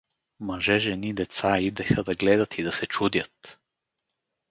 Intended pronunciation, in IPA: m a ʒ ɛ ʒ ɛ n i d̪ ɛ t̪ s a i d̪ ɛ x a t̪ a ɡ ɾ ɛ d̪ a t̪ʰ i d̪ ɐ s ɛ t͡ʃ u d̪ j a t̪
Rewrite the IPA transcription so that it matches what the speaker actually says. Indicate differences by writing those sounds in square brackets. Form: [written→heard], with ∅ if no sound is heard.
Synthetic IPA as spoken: m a ʒ ɛ ʒ ɛ n i d̪ ɛ t̪ s a i d̪ ɛ x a [t̪→d̪] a ɡ [ɾ→l] ɛ d̪ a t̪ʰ i d̪ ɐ s ɛ t͡ʃ u d̪ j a t̪